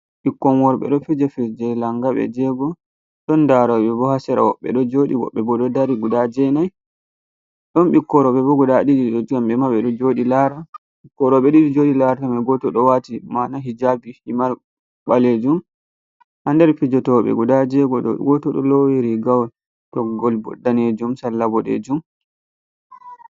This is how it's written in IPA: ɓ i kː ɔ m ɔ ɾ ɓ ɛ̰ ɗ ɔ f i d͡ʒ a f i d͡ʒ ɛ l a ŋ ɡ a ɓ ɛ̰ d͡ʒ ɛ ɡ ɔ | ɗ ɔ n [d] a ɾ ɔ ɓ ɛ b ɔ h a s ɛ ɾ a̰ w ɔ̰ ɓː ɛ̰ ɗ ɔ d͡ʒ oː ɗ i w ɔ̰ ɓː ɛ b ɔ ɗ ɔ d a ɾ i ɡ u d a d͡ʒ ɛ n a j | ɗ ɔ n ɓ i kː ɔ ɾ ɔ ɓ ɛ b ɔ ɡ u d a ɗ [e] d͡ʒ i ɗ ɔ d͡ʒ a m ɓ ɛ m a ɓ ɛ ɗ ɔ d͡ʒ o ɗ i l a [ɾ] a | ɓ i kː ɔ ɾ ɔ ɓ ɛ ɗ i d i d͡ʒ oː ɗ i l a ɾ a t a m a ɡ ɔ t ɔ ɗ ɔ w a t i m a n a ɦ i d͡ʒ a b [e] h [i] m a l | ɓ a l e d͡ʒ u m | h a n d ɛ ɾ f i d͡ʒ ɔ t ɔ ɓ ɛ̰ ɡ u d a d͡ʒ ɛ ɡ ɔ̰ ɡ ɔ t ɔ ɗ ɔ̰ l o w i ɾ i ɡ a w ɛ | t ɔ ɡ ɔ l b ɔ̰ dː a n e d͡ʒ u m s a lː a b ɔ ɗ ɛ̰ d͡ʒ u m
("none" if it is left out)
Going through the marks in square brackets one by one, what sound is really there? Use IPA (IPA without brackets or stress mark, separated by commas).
d, i, ɾ, i, i